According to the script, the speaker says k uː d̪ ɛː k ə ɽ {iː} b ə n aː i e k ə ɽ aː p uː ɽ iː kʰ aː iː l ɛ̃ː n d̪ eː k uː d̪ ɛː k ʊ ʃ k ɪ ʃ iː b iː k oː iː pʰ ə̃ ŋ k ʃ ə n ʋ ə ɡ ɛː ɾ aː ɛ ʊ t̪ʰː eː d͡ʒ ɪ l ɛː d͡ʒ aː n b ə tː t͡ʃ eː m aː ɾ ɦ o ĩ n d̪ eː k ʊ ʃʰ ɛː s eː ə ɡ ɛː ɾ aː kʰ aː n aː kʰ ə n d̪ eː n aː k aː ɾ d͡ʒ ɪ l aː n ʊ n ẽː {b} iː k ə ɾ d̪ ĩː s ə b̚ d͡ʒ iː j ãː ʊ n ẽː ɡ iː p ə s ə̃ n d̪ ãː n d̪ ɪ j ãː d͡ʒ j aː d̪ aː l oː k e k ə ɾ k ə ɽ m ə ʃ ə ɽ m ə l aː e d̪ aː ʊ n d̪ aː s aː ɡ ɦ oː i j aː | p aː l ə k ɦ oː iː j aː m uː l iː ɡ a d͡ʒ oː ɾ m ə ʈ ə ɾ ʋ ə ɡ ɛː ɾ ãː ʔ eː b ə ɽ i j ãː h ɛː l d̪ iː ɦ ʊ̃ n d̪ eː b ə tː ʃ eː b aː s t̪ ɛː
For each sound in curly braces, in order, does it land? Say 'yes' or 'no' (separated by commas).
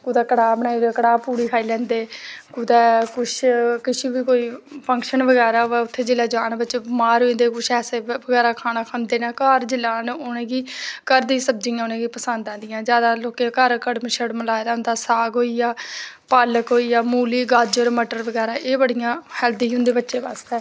no, no